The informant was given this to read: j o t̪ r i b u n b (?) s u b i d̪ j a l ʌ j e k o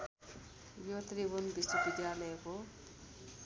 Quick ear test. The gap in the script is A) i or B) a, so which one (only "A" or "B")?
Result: A